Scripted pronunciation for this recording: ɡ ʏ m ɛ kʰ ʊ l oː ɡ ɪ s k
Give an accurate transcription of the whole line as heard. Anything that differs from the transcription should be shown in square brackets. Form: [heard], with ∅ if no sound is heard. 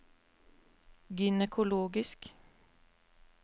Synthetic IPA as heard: ɡ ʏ [n] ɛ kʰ ʊ l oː ɡ ɪ s k